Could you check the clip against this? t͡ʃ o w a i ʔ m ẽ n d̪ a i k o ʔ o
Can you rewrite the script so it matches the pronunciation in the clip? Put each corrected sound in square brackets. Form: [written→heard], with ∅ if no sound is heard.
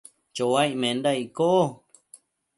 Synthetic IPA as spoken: t͡ʃ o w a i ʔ m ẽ n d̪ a i k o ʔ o